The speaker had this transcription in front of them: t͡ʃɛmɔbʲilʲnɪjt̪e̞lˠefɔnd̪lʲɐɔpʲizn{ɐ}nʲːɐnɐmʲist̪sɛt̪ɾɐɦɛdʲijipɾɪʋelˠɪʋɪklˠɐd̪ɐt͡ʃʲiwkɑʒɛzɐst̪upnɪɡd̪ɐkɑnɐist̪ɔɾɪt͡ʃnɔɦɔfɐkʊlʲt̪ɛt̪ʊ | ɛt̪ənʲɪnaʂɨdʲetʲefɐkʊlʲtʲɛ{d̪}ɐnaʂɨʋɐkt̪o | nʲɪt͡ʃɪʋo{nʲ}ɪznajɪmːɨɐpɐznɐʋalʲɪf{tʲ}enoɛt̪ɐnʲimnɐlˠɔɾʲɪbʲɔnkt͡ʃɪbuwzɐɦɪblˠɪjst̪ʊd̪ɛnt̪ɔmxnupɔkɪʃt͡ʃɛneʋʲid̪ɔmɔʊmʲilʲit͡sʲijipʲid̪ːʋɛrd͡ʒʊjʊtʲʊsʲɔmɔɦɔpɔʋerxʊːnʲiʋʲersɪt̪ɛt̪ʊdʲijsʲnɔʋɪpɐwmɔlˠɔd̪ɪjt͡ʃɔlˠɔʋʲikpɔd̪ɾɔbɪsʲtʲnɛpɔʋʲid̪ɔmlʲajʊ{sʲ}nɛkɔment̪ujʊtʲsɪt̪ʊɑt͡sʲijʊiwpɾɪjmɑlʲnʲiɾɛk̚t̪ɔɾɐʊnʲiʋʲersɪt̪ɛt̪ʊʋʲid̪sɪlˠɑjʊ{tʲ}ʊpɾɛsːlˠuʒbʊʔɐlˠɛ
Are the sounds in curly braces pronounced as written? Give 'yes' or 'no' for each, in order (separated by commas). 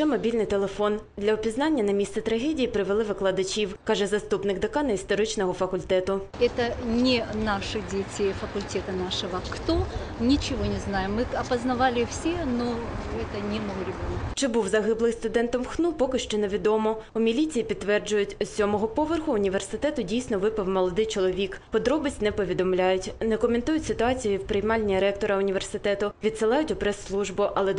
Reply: no, no, yes, no, no, yes